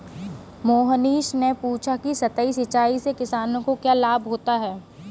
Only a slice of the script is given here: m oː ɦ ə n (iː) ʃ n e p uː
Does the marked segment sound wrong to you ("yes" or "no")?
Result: no